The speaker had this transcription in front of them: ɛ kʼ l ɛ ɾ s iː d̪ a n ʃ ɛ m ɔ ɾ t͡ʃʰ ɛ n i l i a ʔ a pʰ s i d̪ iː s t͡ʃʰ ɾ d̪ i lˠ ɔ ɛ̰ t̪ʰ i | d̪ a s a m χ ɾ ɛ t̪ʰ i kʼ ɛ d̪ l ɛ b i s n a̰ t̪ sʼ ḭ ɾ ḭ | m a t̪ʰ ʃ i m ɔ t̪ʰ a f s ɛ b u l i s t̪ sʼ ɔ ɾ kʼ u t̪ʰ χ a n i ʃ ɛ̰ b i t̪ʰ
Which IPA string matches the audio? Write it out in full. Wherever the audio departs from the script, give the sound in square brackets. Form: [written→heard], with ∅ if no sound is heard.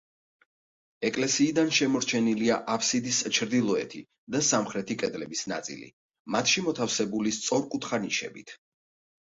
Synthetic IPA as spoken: ɛ kʼ l ɛ [ɾ→∅] s iː d̪ a n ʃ ɛ m ɔ ɾ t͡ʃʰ ɛ n i l i a ʔ a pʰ s i d̪ [iː→i] s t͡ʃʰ ɾ d̪ i lˠ ɔ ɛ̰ t̪ʰ i | d̪ a s a m χ ɾ ɛ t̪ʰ i kʼ ɛ d̪ l ɛ b i s n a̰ t̪ sʼ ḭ [ɾ→l] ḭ | m a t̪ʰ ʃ i m ɔ t̪ʰ a f s ɛ b u l i s t̪ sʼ ɔ ɾ kʼ u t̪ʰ χ a n i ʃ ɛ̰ b i t̪ʰ